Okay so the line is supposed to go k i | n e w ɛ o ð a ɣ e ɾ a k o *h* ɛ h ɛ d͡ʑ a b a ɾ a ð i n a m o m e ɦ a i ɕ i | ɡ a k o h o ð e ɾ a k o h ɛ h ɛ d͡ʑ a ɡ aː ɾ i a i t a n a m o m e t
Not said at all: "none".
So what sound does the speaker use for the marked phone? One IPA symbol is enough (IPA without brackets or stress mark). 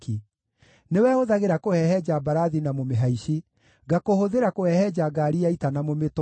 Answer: h